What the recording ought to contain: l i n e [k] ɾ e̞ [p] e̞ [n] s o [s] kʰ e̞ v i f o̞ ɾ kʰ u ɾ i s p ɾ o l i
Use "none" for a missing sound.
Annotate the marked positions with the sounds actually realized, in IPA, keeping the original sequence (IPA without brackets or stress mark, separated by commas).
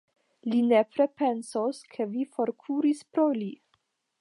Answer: p, p, n, s